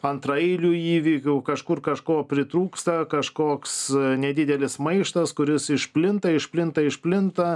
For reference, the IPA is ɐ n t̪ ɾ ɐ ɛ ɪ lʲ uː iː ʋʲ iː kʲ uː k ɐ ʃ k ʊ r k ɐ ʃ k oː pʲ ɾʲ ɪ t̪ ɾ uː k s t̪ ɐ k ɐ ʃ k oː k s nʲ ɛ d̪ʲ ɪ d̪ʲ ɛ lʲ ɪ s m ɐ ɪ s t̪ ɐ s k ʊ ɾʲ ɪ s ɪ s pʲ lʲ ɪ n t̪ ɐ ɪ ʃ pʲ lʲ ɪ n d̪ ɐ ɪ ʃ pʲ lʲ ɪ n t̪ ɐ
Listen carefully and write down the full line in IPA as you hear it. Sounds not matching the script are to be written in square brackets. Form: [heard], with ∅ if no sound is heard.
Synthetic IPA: ɐ n t̪ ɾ ɐ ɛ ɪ lʲ uː iː ʋʲ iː kʲ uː k ɐ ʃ k ʊ r k ɐ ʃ k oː pʲ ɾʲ ɪ t̪ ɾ uː k s t̪ ɐ k ɐ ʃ k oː k s nʲ ɛ d̪ʲ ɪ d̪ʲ ɛ lʲ ɪ s m ɐ ɪ [ʃ] t̪ ɐ s k ʊ ɾʲ ɪ s ɪ [ʃ] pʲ lʲ ɪ n t̪ ɐ ɪ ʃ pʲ lʲ ɪ n [t̪] ɐ ɪ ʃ pʲ lʲ ɪ n t̪ ɐ

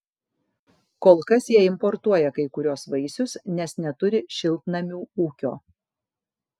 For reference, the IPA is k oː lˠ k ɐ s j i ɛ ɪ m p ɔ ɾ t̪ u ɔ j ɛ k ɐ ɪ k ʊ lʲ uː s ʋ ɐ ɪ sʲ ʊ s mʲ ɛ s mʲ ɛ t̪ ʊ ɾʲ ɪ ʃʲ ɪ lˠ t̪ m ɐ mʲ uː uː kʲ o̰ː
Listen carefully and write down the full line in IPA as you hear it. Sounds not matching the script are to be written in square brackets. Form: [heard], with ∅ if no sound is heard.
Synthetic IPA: k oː lˠ k ɐ s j i ɛ ɪ m p ɔ ɾ t̪ u ɔ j ɛ k ɐ ɪ k ʊ [ɾʲ] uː s ʋ ɐ ɪ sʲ ʊ s [nʲ] ɛ s [nʲ] ɛ t̪ ʊ ɾʲ ɪ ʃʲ ɪ lˠ t̪ [n] ɐ mʲ uː uː kʲ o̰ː

